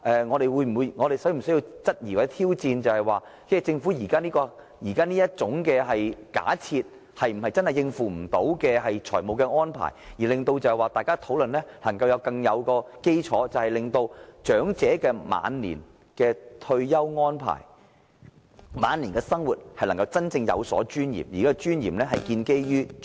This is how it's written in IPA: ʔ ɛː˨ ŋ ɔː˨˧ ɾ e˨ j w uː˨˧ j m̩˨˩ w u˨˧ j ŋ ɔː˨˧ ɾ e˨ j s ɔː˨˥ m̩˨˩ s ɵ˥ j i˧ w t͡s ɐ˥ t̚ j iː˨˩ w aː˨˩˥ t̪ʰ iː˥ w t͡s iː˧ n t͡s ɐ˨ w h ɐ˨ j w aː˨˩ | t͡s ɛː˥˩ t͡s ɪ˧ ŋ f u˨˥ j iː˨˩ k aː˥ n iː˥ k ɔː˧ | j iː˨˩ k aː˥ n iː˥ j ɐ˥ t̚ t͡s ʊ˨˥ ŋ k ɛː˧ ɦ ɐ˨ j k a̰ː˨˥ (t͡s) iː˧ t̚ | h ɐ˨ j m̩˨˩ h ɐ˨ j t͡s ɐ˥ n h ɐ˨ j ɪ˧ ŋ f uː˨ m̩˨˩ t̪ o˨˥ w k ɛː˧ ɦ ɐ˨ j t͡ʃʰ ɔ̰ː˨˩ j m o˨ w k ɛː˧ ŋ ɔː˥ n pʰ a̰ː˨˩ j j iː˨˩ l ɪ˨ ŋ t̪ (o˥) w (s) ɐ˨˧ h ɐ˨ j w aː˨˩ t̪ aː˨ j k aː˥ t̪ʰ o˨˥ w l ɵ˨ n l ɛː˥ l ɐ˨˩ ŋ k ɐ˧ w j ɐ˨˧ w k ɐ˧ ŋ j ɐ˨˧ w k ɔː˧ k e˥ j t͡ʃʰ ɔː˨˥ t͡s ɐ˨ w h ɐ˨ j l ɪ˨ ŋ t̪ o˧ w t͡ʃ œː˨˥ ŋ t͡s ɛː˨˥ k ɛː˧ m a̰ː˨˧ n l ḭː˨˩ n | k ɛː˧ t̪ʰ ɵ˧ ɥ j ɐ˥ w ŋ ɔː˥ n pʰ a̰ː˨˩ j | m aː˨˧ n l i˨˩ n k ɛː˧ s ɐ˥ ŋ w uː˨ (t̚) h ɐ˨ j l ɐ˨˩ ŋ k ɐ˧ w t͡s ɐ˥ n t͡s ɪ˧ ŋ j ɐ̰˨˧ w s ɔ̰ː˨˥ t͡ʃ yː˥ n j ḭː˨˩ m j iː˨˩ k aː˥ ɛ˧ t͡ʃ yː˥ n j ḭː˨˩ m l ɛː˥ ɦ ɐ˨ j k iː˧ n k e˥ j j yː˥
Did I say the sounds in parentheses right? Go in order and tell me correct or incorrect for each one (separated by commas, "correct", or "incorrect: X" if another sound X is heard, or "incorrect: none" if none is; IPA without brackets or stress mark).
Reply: incorrect: t͡sʰ, incorrect: o˧, incorrect: t͡s, correct